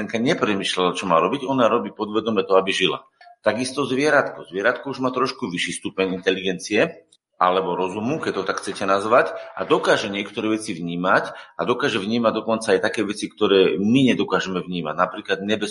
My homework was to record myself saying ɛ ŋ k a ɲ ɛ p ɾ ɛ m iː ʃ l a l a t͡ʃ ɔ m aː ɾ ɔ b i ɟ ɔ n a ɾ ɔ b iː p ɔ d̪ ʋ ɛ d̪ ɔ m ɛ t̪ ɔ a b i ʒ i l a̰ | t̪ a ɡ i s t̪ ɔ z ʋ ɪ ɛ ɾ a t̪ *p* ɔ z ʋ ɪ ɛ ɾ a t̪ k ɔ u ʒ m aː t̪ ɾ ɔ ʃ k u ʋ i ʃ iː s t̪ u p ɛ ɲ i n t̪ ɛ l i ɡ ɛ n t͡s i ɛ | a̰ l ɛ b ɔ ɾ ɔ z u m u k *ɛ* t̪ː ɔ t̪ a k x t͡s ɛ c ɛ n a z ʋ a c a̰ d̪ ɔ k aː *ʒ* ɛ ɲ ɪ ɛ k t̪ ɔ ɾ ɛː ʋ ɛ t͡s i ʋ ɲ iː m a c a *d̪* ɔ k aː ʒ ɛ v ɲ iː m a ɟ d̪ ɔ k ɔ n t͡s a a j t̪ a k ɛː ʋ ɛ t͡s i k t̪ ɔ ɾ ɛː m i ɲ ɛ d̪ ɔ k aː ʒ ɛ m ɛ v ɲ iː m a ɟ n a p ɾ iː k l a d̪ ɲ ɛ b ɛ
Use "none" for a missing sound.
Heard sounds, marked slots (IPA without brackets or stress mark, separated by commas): k, ɛ, ʒ, d̪